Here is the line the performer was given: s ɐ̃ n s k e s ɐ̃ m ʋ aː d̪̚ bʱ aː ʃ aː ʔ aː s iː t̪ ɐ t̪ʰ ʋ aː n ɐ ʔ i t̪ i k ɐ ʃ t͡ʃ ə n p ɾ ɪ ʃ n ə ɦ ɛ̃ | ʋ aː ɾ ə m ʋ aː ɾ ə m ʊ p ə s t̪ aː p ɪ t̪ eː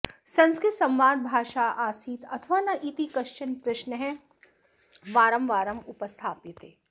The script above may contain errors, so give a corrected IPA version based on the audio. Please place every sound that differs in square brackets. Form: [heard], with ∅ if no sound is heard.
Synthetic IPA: s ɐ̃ n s k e s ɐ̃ m ʋ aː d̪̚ bʱ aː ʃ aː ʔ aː s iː t̪ ɐ t̪ʰ ʋ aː n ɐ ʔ i t̪ i k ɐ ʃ t͡ʃ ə n p ɾ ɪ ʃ n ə ɦ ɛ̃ | ʋ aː ɾ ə m ʋ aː ɾ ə m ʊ p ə s [t̪ʰ] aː p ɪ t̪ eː